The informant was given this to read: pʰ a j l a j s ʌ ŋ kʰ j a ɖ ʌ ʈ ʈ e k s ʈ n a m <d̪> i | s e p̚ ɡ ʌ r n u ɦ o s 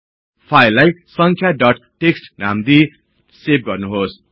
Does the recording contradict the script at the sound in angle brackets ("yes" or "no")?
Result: no